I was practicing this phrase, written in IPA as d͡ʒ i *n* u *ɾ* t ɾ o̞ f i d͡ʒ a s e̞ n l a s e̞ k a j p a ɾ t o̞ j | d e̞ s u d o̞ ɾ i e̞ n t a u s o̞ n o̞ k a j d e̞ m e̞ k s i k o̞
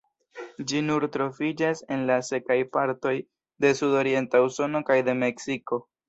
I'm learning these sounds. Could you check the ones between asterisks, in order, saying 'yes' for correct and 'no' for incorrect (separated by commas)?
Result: yes, yes